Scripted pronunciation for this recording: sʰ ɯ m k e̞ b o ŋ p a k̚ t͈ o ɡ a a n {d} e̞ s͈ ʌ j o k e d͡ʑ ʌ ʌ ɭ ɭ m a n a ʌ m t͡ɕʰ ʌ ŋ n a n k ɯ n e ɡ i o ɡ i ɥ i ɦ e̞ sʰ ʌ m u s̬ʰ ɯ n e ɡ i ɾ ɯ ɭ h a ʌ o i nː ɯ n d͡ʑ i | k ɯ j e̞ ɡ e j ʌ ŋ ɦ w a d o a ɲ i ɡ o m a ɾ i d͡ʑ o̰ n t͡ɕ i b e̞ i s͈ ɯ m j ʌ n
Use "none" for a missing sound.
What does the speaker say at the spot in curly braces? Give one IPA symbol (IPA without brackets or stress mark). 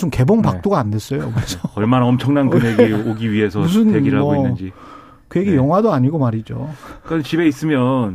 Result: d